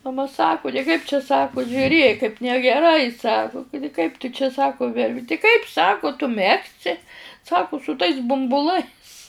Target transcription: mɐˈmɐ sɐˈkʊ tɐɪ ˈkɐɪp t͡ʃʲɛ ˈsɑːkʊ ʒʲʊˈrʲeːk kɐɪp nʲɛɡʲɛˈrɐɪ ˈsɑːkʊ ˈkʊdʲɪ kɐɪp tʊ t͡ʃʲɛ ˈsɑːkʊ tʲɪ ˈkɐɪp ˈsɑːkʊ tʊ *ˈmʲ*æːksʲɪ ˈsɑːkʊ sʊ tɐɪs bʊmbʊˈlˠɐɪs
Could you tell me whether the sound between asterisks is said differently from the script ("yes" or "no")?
no